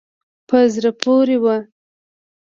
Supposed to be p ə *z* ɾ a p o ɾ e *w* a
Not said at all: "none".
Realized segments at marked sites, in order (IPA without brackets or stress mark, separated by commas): z, w